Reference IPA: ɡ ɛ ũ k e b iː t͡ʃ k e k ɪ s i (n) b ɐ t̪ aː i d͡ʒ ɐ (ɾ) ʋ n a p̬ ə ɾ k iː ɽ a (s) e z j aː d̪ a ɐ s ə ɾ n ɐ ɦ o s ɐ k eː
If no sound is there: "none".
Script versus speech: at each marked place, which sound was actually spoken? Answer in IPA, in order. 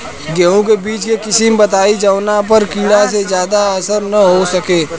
m, none, s

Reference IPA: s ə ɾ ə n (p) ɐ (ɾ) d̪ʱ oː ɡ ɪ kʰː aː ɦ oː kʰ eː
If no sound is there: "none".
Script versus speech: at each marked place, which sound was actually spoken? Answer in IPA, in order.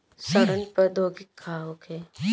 p, ɾ

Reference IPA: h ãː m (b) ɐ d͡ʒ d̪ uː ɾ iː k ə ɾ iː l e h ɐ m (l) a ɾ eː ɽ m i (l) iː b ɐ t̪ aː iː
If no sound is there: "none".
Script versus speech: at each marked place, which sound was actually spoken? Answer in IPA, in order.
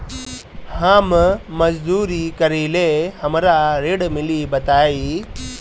m, ɾ, l

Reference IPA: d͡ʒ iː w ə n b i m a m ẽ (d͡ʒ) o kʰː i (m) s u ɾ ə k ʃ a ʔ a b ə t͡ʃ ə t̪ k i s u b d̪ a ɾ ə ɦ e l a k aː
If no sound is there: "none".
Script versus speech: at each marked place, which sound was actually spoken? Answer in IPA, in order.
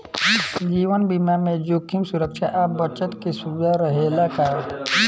d͡ʒ, m

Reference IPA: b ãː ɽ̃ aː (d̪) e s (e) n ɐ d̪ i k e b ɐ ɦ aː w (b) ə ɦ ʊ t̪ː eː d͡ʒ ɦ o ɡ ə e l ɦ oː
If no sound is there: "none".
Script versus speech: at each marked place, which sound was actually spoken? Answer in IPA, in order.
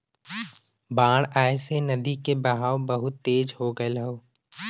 none, e, b

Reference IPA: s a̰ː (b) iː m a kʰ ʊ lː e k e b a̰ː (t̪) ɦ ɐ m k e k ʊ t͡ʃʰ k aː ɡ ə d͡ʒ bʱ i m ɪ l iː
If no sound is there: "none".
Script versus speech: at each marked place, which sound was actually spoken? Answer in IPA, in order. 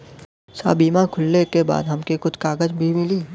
b, d̪

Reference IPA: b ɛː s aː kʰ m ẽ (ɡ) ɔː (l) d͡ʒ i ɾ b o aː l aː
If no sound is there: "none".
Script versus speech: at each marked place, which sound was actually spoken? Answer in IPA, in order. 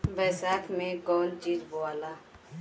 ɡ, l

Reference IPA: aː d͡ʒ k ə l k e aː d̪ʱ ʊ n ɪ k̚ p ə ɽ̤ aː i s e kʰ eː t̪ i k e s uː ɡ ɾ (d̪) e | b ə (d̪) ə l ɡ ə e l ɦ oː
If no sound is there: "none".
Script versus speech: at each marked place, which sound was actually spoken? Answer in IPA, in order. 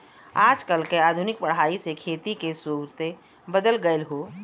t̪, d̪

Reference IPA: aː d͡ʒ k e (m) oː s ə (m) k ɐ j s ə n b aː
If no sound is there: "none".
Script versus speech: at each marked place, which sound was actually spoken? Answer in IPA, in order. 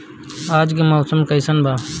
m, m

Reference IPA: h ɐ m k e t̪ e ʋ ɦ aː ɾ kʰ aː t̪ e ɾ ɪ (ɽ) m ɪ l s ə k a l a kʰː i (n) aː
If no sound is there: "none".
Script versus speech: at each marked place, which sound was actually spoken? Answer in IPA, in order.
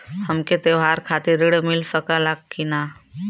ɽ, n

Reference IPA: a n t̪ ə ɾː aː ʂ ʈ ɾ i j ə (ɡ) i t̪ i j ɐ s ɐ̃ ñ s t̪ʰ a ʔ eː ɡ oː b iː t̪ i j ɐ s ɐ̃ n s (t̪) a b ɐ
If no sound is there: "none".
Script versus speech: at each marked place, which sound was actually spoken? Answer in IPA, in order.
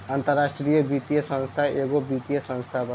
b, t̪ʰ

